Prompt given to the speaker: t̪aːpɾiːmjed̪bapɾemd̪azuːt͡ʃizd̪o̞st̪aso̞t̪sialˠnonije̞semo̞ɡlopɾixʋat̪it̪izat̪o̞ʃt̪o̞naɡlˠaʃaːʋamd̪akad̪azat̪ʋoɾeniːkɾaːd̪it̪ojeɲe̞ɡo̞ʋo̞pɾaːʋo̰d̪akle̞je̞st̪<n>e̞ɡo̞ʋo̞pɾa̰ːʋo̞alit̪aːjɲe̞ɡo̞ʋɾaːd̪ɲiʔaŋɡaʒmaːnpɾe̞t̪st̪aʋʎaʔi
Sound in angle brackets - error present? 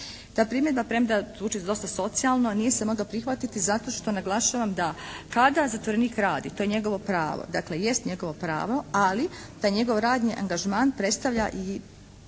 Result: yes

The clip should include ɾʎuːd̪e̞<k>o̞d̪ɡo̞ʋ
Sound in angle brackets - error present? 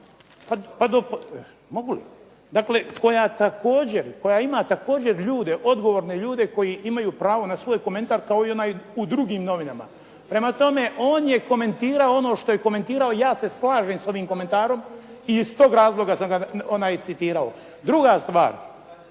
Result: yes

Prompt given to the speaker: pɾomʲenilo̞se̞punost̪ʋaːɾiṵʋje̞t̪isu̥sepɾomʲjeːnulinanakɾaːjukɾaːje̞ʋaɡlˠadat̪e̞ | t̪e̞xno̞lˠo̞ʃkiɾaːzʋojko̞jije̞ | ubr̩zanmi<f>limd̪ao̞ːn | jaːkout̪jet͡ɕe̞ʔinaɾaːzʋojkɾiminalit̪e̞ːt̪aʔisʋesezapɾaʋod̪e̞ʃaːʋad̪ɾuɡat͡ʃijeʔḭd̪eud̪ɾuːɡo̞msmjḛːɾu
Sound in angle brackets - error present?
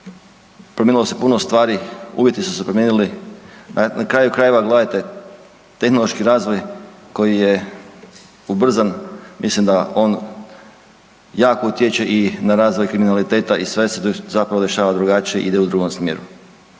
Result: yes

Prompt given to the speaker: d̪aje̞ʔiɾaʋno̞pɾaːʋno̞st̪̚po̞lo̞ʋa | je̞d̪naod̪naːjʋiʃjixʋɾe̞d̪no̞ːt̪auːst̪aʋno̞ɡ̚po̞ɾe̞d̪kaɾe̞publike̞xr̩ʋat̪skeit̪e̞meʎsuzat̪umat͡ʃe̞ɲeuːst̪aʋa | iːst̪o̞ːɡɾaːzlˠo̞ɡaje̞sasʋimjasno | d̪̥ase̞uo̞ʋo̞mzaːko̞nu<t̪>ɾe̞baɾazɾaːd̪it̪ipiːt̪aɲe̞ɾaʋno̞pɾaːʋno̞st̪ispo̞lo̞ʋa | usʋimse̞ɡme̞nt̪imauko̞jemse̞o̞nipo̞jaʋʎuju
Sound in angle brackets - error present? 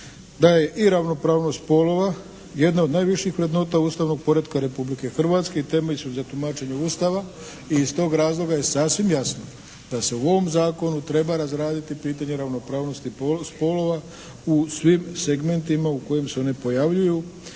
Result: no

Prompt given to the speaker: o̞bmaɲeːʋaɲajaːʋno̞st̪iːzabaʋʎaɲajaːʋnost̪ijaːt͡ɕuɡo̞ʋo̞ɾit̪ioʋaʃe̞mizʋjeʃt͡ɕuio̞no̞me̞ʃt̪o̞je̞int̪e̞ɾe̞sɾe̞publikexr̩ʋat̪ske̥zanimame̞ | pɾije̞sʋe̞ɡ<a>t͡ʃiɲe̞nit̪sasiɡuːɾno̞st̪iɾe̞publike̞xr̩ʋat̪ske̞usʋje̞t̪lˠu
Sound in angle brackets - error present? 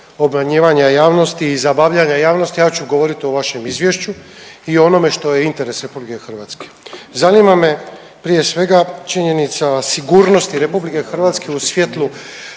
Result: no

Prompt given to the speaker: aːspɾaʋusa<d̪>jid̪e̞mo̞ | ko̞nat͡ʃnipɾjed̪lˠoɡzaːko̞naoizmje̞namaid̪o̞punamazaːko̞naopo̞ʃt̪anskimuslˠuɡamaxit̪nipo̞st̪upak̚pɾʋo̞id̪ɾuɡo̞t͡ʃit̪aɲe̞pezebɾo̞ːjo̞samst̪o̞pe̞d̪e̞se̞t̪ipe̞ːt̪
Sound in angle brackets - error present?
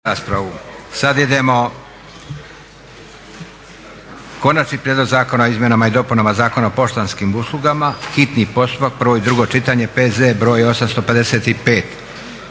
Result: no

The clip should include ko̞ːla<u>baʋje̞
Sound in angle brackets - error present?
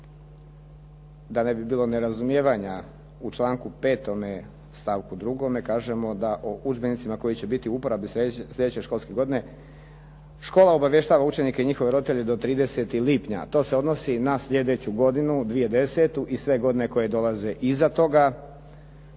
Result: yes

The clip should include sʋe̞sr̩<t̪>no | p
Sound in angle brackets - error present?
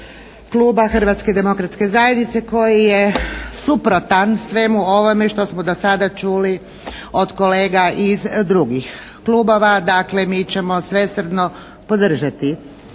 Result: yes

